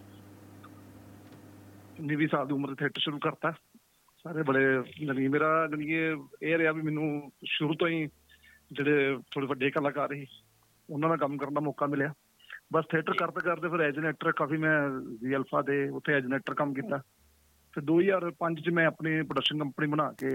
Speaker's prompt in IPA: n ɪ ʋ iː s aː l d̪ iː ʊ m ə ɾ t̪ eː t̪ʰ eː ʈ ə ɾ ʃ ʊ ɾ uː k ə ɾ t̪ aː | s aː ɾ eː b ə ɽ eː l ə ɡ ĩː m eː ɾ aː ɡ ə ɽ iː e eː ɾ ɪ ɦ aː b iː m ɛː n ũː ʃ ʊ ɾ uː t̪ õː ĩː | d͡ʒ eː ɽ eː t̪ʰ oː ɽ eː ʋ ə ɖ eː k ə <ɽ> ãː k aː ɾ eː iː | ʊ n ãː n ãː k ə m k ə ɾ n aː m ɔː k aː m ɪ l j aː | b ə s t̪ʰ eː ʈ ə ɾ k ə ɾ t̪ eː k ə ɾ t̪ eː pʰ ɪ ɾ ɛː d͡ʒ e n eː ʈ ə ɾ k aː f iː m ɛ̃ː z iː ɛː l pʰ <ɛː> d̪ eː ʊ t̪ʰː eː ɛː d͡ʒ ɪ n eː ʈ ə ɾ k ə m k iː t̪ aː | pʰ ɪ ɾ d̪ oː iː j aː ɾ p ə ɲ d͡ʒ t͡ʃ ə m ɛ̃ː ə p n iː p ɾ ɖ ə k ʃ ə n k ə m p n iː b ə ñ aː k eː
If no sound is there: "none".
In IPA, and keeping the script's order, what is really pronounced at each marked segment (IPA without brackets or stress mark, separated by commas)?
l, aː